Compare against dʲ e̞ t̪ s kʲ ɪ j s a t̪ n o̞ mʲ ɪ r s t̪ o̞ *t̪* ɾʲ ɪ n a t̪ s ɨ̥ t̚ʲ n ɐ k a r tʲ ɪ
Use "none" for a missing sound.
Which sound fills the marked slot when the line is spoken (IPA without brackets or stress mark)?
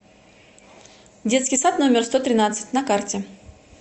t̪